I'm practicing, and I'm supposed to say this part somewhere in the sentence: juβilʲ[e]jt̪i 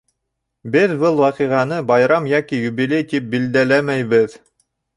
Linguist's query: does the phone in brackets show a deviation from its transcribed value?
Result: no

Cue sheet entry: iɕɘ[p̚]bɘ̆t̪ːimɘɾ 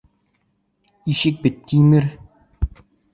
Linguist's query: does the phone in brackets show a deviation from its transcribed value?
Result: yes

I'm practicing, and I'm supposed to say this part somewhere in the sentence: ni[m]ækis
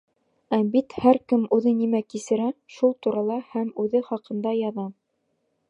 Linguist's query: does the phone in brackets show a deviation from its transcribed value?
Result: no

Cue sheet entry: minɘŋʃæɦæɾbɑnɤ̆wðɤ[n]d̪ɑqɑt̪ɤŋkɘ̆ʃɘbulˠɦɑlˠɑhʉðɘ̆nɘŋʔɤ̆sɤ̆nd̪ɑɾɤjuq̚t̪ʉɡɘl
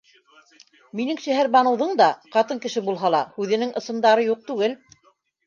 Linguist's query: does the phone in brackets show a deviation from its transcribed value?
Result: yes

